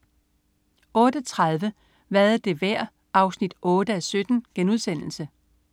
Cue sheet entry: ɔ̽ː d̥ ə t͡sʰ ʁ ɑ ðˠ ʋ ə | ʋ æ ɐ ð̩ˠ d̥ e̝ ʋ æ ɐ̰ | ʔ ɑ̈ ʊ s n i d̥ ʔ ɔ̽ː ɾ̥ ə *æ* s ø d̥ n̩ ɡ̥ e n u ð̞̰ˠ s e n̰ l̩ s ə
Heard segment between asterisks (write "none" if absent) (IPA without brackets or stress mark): æ